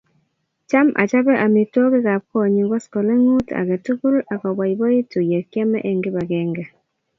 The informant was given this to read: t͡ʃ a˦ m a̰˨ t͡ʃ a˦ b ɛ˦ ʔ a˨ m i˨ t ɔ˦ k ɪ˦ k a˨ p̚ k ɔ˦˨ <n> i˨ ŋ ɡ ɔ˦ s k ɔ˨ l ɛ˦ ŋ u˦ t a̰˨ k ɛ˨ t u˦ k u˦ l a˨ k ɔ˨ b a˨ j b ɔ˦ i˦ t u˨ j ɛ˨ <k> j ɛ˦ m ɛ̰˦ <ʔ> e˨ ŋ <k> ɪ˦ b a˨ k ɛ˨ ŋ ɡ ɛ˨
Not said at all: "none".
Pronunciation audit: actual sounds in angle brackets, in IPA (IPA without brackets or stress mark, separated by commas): ɲ, k, ʔ, ɡ